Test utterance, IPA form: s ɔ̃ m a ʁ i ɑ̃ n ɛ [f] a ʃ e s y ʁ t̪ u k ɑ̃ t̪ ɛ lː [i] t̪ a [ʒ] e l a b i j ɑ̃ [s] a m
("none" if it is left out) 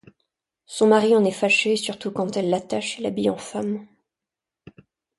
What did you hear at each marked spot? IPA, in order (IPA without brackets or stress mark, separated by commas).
f, a, ʃ, f